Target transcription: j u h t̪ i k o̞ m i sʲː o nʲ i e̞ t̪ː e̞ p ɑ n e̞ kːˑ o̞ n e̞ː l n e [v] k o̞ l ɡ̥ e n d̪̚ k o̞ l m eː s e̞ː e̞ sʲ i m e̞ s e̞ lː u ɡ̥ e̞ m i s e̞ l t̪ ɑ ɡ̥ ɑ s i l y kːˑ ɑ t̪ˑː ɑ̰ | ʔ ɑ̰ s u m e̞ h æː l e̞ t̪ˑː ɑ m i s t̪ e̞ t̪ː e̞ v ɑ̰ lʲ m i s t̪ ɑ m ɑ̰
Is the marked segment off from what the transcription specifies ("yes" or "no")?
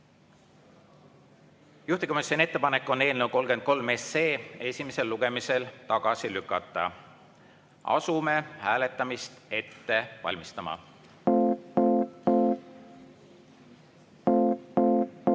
yes